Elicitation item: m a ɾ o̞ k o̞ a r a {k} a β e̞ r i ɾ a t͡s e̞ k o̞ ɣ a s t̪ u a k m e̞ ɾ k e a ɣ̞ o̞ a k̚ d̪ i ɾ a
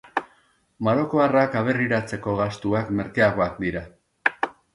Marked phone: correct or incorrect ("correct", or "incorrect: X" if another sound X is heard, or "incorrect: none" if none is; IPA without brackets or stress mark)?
correct